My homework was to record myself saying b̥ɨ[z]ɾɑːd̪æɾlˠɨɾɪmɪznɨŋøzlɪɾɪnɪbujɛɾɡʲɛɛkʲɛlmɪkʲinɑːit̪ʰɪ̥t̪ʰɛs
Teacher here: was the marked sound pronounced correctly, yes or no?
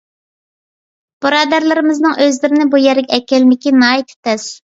no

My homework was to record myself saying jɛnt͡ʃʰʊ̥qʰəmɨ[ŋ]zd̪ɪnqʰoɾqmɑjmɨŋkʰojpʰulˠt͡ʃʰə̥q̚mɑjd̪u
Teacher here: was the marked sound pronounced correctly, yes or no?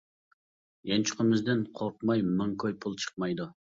no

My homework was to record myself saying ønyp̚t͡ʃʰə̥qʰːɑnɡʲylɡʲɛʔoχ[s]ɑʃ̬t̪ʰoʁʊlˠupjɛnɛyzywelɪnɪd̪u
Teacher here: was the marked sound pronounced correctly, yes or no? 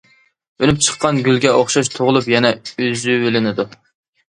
no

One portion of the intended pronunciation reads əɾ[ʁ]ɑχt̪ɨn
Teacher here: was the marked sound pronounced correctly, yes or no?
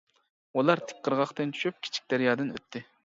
yes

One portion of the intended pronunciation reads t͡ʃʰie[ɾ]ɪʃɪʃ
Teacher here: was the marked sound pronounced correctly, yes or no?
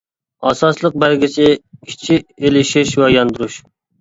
no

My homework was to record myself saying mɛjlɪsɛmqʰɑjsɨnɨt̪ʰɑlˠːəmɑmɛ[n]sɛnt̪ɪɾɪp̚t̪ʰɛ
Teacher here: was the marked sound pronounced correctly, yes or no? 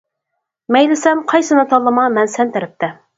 yes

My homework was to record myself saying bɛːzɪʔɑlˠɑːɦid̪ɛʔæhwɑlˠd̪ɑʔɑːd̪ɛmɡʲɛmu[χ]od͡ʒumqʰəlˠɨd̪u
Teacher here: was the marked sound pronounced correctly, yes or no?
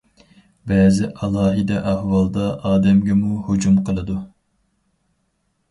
no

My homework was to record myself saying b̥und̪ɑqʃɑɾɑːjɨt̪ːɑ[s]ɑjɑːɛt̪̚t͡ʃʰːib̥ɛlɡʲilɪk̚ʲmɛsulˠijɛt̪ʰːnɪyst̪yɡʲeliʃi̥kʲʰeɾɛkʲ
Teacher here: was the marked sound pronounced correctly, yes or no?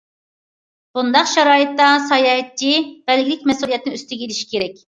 yes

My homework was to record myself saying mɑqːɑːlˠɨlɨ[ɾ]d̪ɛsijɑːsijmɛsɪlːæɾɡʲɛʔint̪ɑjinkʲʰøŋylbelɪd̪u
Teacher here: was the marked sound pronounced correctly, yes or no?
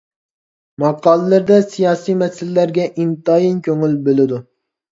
yes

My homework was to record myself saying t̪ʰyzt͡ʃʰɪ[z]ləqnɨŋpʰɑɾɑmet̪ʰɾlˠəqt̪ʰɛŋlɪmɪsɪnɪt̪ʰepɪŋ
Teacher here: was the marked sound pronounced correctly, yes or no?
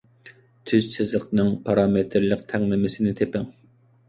yes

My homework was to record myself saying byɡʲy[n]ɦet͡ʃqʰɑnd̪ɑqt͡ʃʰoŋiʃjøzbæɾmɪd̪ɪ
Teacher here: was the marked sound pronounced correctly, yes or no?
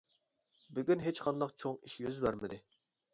yes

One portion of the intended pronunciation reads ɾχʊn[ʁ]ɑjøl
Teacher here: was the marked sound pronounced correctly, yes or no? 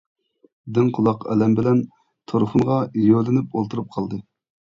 yes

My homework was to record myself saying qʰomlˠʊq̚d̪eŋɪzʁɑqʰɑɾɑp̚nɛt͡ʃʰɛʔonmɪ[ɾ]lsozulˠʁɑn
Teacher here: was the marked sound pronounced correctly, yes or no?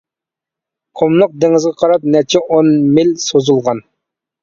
no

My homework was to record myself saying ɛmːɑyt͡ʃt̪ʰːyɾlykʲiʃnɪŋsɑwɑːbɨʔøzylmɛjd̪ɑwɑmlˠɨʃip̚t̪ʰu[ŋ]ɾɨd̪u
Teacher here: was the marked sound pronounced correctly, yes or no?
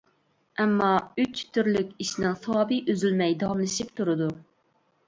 no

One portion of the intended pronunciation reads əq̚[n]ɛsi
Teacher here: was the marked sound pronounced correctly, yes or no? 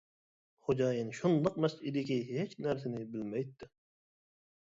no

